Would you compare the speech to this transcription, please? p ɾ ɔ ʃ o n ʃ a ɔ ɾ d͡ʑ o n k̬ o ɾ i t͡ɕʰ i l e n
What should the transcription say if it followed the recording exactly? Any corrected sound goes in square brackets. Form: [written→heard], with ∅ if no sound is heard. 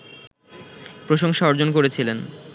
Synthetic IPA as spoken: p ɾ [ɔ→o] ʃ o [n→ŋ] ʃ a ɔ ɾ d͡ʑ o n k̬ o ɾ [i→e] t͡ɕʰ i l e n

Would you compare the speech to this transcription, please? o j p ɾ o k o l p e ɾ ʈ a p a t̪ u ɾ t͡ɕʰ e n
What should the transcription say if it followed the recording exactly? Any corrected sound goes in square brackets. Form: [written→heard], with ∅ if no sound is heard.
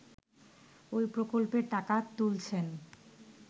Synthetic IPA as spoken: o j p ɾ o k o l p e ɾ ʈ a [p→k] a t̪ u [ɾ→l] t͡ɕʰ e n

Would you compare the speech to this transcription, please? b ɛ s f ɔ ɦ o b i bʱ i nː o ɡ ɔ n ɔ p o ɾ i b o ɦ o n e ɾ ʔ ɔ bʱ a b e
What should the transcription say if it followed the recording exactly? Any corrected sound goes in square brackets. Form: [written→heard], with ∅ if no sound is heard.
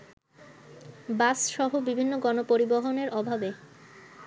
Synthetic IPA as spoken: b [ɛ→a] s [f→ʃ] ɔ ɦ o b i bʱ i nː o ɡ ɔ n [ɔ→o] p o ɾ i b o ɦ o n e ɾ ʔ ɔ bʱ a b e

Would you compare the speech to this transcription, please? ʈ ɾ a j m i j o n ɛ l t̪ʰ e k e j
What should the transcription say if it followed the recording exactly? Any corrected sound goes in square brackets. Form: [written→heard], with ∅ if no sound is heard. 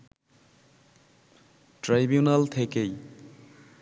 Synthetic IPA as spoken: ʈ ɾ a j [m→b] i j [o→u] n [ɛ→a] l t̪ʰ e k e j

